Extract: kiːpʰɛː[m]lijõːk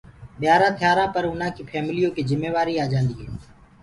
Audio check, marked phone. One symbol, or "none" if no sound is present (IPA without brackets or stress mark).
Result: m